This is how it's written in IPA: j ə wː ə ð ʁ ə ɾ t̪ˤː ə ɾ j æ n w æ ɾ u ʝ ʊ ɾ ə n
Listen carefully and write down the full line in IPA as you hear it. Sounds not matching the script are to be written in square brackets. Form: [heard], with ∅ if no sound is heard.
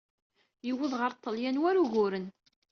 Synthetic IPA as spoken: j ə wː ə ð ʁ ə ɾ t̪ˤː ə [l] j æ n w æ ɾ u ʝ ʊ ɾ ə n